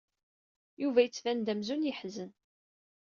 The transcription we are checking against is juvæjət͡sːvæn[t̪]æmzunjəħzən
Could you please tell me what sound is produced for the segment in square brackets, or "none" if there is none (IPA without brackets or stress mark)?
d̪